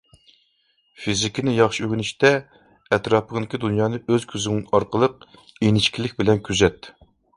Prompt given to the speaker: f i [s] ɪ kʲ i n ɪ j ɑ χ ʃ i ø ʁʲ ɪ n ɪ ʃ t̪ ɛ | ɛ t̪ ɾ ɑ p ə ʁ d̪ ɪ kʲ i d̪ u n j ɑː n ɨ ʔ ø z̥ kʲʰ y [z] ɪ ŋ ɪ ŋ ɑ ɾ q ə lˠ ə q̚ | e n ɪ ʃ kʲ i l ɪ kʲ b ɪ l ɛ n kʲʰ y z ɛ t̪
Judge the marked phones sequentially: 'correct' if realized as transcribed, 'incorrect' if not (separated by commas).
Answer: incorrect, correct